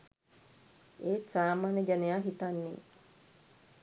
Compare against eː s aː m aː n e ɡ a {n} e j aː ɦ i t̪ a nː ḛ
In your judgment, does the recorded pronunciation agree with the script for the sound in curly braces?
yes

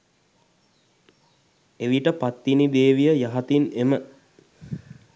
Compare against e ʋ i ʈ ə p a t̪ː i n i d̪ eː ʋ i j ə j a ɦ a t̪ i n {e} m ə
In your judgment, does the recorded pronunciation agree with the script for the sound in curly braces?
yes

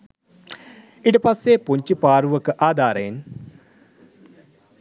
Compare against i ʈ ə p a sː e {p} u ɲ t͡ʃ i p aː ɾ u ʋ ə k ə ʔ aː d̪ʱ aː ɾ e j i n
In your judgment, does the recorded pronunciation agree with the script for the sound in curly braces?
yes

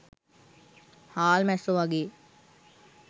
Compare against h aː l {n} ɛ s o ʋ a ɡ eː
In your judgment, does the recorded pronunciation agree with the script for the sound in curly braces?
no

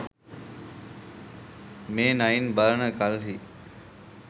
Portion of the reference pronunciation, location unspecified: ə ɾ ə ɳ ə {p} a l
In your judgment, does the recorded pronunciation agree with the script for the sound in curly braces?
no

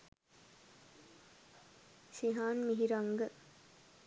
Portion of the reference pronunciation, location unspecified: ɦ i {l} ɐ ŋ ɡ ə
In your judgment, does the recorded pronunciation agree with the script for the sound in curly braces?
no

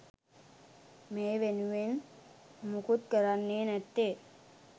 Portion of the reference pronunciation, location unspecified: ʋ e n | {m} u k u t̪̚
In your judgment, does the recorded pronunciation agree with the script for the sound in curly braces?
yes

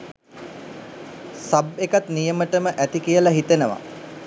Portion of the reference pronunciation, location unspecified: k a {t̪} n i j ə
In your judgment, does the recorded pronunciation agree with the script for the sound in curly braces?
yes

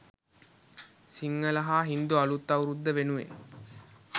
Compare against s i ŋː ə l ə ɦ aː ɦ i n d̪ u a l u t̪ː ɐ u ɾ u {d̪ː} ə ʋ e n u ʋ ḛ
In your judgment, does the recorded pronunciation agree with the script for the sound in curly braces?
yes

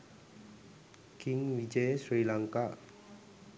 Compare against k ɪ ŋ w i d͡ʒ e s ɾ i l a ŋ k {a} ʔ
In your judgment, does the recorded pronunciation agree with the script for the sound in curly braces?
yes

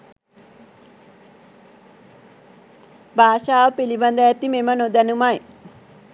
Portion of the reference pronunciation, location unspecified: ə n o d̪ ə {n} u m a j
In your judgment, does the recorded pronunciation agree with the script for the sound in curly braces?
yes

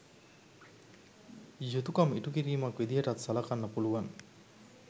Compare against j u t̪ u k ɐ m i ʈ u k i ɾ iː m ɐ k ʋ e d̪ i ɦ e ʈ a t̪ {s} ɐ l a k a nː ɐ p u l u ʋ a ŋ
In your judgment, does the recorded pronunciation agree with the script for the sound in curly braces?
yes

